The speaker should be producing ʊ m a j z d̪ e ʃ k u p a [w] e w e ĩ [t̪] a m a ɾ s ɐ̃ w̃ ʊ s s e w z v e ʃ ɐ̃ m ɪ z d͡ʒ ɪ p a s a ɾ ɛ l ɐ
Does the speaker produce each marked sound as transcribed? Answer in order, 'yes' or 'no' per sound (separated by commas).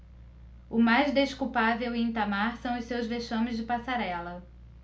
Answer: no, yes